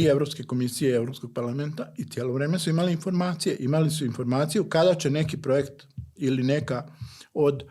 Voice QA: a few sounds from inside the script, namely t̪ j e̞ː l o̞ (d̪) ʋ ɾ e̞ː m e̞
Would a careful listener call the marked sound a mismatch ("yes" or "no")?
yes